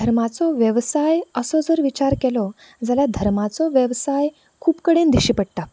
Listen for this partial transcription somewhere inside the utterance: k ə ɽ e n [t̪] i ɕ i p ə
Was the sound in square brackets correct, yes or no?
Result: no